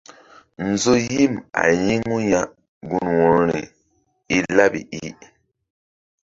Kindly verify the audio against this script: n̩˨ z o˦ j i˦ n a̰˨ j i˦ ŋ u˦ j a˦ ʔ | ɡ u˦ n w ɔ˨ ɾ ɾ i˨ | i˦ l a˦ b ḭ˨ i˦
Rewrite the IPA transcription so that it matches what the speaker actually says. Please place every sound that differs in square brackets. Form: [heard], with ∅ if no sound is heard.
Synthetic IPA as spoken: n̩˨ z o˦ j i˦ [m] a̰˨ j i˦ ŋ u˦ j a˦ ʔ | ɡ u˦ n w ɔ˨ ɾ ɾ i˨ | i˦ l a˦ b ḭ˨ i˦